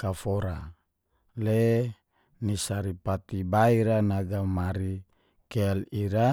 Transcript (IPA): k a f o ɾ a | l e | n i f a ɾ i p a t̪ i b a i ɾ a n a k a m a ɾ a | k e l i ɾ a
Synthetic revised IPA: k a f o ɾ a | l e | n i s a ɾ i p a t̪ i b a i ɾ a n a ɡ a m a ɾ i | k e l i ɾ a